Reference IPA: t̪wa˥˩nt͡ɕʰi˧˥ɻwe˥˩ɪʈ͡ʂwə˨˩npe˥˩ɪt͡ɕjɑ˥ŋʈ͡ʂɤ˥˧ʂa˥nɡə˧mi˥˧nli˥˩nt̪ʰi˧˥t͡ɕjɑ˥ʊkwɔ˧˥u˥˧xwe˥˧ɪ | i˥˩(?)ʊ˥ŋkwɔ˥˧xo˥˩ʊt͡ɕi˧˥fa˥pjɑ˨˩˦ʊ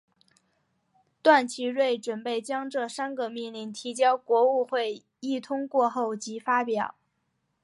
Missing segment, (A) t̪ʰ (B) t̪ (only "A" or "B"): A